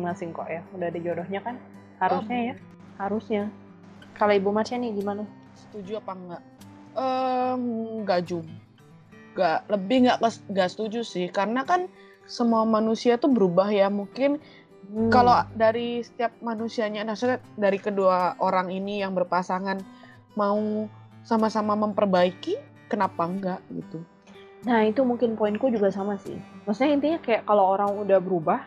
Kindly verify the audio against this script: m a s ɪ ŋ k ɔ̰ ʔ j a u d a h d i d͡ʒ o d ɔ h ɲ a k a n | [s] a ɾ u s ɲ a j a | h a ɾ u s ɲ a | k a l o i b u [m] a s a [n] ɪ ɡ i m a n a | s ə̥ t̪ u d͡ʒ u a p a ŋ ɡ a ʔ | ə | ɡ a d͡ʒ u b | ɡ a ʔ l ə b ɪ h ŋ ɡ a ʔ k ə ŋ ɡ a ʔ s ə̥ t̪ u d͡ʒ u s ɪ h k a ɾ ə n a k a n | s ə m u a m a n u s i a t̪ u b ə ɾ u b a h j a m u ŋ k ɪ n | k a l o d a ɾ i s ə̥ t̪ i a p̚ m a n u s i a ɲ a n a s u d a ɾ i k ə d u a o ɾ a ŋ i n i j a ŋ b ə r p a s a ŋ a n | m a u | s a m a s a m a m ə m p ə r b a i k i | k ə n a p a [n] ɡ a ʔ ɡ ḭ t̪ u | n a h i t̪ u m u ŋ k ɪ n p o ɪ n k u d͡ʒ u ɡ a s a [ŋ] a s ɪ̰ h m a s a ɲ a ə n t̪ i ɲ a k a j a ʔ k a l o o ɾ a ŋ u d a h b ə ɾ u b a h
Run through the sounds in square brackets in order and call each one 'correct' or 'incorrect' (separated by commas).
incorrect, correct, correct, incorrect, incorrect